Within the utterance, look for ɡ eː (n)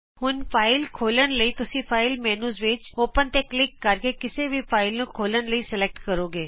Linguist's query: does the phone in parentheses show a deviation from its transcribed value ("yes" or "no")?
yes